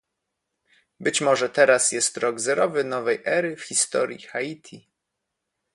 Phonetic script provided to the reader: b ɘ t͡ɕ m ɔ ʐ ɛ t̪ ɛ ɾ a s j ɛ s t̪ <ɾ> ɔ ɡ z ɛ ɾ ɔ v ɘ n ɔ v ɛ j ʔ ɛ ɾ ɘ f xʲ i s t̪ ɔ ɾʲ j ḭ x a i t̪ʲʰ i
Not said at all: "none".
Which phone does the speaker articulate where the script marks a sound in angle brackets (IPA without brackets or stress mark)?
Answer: ɾ